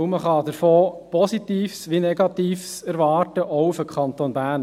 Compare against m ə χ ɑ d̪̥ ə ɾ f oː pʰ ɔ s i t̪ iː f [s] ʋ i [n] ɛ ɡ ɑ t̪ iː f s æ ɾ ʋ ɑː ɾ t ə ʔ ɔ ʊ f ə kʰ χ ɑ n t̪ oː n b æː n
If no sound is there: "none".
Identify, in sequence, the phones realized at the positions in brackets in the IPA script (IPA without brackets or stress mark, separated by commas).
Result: s, n